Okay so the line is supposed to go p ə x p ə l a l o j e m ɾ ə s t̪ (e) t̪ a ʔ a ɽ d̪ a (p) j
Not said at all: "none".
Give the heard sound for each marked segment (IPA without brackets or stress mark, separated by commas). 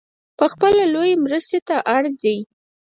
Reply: e, none